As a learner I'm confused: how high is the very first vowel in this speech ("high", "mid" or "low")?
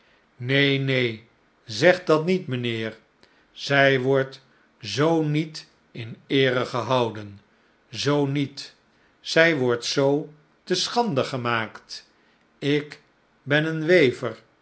mid